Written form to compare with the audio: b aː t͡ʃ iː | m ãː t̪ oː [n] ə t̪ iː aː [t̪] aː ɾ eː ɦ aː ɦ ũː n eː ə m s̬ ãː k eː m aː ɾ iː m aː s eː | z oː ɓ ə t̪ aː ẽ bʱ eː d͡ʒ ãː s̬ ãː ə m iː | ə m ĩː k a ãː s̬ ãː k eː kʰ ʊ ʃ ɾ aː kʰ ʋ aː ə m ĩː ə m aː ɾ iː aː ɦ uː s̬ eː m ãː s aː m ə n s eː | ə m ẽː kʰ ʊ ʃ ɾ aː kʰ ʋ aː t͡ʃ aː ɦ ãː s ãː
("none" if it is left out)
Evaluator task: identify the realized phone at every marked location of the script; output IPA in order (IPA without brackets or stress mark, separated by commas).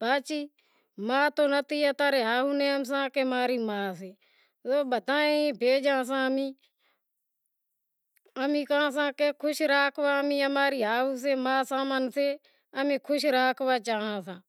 n, t̪